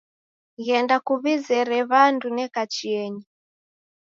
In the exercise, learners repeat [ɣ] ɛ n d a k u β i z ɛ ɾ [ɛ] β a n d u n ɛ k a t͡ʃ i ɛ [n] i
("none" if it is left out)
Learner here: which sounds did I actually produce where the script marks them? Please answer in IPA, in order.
ɣ, ɛ, ɲ

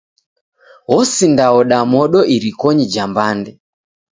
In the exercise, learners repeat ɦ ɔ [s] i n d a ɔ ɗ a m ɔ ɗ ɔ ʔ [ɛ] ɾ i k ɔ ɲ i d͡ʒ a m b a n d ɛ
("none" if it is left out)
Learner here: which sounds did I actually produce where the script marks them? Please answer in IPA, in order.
s, i

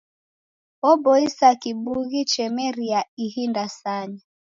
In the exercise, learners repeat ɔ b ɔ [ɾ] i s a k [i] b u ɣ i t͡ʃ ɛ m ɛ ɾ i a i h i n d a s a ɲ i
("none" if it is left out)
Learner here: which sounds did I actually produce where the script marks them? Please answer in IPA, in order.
none, i

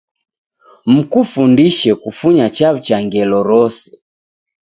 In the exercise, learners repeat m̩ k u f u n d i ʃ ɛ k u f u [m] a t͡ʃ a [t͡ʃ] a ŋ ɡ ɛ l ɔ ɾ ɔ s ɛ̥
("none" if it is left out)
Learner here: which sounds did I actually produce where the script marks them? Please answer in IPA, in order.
ɲ, t͡ʃ

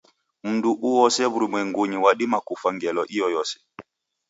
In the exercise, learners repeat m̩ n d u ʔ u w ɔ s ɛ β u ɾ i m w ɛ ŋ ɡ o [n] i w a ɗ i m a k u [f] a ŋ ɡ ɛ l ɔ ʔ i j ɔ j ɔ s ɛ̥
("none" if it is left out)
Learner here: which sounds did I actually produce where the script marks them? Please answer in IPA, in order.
ɲ, f

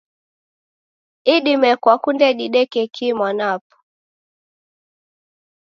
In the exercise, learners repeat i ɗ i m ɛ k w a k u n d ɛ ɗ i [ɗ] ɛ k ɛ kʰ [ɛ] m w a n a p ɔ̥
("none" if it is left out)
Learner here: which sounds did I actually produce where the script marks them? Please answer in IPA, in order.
ɗ, i

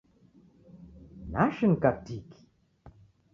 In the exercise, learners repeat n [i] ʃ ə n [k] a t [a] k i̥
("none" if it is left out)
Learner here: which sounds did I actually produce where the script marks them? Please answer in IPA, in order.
a, k, i

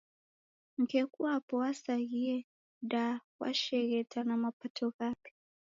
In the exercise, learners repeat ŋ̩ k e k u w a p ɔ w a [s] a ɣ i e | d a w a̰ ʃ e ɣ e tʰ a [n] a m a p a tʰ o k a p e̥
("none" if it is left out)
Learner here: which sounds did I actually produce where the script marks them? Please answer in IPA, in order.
s, n

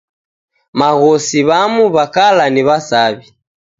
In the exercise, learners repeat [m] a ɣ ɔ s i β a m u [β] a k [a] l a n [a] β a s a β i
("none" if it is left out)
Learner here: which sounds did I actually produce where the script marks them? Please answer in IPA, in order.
m, β, a, i

